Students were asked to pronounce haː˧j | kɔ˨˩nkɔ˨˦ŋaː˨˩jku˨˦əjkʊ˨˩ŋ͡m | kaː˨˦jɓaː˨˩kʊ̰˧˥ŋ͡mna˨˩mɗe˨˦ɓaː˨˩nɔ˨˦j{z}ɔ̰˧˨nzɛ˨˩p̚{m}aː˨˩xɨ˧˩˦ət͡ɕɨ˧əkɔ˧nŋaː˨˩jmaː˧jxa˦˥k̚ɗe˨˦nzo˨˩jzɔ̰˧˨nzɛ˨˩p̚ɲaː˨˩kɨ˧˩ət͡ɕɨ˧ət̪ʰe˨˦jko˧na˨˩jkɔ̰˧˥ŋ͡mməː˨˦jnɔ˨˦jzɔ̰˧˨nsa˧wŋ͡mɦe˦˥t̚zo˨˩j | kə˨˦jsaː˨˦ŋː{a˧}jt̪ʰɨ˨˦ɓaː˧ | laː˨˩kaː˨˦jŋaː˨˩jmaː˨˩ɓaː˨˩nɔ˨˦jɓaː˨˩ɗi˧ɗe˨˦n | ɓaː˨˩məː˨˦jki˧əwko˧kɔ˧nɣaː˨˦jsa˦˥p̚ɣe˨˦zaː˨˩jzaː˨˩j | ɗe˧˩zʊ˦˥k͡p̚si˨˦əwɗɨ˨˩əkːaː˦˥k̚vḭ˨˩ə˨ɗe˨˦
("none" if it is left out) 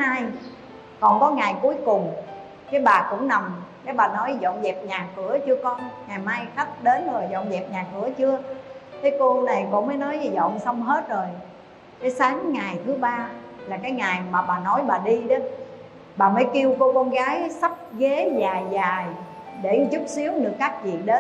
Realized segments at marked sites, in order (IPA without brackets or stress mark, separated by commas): z, ɲ, a˨˩